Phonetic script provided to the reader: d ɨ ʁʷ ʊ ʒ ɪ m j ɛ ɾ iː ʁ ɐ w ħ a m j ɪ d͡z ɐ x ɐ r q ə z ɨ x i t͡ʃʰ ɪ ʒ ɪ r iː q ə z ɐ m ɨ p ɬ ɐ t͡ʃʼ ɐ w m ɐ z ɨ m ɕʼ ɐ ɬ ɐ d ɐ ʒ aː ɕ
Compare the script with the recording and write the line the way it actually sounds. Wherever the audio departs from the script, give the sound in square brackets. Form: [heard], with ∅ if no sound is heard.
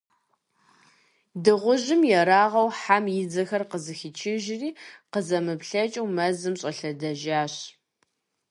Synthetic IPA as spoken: d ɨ ʁʷ ʊ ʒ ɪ m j ɛ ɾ [aː] ʁ ɐ w ħ a m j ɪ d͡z ɐ x ɐ r q ə z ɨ x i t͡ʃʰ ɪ ʒ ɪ r iː q ə z ɐ m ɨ p ɬ ɐ t͡ʃʼ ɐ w m ɐ z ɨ m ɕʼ ɐ ɬ ɐ d ɐ ʒ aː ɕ